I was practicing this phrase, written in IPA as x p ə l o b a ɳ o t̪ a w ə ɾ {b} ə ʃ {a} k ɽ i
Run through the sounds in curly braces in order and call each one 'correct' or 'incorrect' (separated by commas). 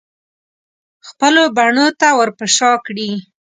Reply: incorrect, incorrect